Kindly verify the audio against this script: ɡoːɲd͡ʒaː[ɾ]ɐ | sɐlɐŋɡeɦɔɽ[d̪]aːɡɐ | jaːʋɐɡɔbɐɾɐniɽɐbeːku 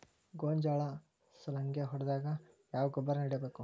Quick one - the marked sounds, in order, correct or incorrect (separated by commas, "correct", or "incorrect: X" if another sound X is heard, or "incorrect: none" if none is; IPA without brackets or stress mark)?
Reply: incorrect: ɭ, correct